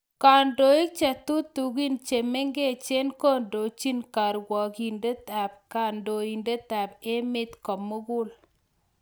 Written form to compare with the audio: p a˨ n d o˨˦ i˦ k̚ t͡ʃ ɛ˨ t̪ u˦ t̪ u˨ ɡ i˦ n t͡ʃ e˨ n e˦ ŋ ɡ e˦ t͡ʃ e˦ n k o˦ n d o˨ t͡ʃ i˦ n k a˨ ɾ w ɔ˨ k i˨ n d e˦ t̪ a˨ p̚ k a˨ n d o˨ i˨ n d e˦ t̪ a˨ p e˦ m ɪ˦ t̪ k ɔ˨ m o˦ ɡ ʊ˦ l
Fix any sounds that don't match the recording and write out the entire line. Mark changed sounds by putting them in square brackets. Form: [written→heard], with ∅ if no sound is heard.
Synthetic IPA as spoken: [p→k] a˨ n d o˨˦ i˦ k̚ t͡ʃ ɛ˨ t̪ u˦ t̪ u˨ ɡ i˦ n t͡ʃ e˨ [n→m] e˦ ŋ ɡ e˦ t͡ʃ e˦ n k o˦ n d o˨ t͡ʃ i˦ n k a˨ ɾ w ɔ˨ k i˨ n d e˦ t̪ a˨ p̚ k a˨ n d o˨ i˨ n d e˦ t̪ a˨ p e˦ m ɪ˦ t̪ k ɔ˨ m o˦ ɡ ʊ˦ l